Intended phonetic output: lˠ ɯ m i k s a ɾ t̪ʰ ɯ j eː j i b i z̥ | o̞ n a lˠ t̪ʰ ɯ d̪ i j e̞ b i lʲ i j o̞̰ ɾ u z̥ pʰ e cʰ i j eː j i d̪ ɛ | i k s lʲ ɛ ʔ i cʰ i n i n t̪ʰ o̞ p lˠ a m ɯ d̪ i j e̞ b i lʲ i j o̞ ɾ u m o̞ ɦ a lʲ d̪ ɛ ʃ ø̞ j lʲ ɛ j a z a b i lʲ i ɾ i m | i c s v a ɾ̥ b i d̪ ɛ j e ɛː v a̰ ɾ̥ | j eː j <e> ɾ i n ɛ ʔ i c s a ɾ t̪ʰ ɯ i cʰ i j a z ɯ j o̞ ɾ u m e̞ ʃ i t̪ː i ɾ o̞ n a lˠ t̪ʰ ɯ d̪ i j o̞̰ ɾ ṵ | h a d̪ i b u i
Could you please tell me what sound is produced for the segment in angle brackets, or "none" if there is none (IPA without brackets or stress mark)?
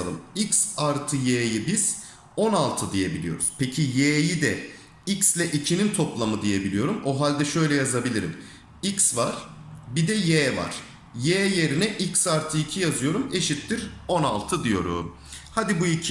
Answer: e